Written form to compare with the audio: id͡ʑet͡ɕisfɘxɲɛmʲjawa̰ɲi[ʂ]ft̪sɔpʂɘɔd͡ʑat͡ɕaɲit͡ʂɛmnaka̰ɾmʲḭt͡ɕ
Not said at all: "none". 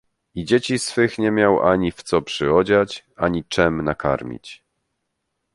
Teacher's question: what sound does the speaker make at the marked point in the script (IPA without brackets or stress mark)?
none